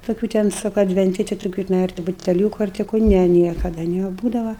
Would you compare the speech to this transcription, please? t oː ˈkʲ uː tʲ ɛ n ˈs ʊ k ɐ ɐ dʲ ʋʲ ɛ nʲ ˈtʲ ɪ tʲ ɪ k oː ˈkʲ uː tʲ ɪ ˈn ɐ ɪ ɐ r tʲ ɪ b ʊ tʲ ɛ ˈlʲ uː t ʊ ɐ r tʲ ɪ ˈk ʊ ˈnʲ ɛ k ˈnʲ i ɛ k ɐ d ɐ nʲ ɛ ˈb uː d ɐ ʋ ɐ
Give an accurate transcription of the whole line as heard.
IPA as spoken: t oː ˈkʲ uː tʲ ɛ n ˈs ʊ k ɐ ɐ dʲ ʋʲ ɛ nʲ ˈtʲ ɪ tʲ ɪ t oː ˈkʲ uː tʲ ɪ ˈn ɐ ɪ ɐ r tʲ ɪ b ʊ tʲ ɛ ˈlʲ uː k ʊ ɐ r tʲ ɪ ˈk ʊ ˈnʲ ɛ ˈnʲ i ɛ k ɐ d ɐ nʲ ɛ ˈb uː d ɐ ʋ ɐ